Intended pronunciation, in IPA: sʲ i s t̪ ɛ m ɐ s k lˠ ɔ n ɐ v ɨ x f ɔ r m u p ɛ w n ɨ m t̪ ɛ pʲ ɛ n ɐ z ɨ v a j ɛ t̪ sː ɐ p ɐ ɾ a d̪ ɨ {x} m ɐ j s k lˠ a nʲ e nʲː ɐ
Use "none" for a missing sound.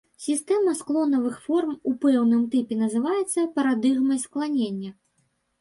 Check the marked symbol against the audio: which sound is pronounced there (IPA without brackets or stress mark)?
ɣ